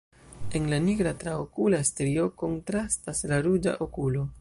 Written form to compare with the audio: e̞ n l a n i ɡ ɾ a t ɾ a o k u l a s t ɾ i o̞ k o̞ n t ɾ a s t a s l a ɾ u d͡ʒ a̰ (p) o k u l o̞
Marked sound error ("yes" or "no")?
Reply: yes